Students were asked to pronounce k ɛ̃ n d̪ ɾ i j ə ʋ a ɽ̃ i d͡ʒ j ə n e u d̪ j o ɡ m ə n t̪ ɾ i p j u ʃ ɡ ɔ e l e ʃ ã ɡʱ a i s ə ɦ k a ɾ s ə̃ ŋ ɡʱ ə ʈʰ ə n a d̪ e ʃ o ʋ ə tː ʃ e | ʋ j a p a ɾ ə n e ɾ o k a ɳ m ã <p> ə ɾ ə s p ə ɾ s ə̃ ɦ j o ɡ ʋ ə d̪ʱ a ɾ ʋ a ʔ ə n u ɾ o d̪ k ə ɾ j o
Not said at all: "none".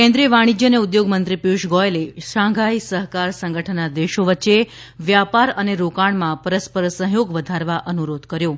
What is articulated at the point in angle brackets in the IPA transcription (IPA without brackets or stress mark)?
p